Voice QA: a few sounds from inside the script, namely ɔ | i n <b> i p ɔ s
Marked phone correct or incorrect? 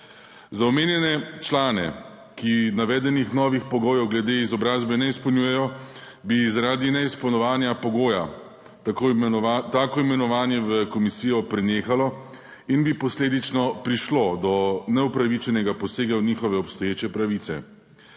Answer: correct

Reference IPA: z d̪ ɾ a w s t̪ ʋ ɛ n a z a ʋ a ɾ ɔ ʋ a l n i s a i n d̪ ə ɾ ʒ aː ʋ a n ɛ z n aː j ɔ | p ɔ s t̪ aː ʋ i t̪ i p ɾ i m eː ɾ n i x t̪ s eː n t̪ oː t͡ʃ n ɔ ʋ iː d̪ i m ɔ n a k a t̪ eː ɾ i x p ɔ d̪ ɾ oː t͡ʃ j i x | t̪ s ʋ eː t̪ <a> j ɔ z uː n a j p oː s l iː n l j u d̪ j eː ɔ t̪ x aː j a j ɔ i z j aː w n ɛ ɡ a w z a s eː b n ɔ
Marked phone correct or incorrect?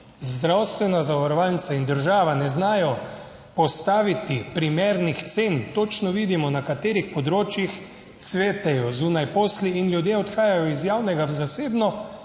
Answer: incorrect: ɛ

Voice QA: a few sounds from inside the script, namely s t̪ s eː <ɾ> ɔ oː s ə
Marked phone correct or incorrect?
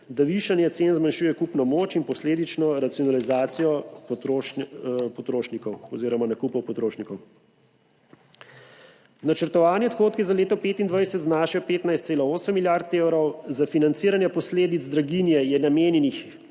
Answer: incorrect: l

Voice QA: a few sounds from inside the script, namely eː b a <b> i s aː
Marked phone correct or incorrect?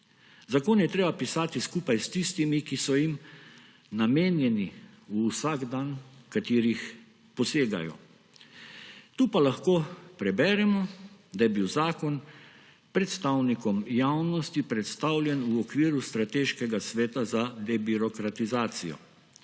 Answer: incorrect: p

